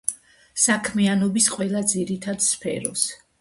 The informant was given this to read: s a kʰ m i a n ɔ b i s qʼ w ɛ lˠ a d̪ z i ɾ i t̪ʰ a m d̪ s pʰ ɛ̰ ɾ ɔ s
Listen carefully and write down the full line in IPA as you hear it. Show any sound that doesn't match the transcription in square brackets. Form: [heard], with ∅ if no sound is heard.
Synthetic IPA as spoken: s a kʰ m i a n ɔ b i s qʼ w ɛ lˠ a d̪ z i ɾ i t̪ʰ a [∅] d̪ s pʰ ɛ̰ ɾ ɔ s